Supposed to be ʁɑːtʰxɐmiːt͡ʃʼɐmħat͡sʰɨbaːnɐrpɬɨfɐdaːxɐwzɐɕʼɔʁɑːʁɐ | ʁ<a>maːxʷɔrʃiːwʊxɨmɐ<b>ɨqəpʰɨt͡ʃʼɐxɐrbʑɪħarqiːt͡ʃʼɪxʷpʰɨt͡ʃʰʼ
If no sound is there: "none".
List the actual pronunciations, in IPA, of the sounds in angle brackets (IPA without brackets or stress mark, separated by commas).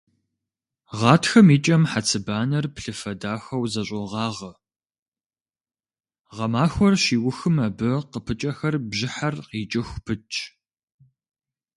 ɐ, b